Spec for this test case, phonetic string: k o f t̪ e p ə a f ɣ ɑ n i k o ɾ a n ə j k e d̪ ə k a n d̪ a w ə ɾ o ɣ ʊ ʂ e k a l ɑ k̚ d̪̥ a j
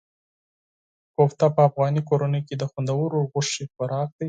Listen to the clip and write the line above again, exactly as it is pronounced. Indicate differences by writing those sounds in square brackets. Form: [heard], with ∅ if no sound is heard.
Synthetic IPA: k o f t̪ [a] p ə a f ɣ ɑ n i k o ɾ a n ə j k e d̪ ə [x] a n d̪ a w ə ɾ o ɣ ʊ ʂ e [x] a [ɾ] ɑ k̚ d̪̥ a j